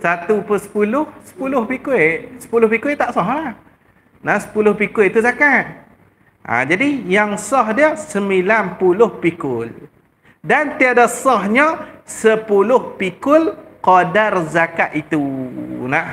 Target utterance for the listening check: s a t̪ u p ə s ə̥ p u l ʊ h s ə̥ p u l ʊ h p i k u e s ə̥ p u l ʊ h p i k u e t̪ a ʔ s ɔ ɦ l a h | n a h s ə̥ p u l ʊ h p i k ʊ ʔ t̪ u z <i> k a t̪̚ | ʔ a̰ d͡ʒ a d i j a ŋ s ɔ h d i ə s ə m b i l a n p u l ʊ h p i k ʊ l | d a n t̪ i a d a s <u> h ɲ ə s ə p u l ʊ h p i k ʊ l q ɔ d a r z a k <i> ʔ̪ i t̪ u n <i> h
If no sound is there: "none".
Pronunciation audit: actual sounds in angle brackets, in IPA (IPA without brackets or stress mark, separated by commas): a, ɔ, a, a